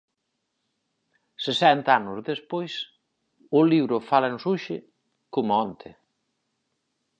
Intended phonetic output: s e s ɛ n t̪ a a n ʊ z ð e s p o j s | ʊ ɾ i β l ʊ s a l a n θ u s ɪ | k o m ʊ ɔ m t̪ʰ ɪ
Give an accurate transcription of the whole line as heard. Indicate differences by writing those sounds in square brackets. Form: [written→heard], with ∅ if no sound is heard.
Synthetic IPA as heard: s e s ɛ n t̪ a a n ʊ z ð e s p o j s | ʊ [ɾ→l] i β [l→ɾ] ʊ [s→f] a l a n [θ→s] u [s→ʃ] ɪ | k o m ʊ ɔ [m→n] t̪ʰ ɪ